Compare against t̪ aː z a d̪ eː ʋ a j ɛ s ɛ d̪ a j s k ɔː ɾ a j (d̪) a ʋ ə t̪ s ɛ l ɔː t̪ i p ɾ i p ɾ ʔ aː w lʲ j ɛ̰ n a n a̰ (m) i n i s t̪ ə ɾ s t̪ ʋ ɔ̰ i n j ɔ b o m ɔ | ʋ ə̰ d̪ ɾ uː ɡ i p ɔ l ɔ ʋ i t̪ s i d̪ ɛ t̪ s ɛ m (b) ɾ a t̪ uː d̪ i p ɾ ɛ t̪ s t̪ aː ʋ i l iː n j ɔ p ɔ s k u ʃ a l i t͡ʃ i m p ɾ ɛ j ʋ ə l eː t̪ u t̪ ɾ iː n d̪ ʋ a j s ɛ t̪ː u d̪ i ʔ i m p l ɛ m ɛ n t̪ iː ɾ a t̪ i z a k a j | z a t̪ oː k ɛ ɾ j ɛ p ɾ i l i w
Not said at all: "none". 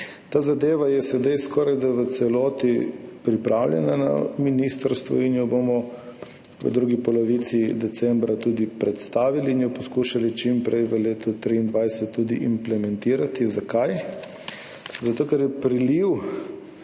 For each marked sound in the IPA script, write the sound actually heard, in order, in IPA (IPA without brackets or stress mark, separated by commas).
d̪, m, b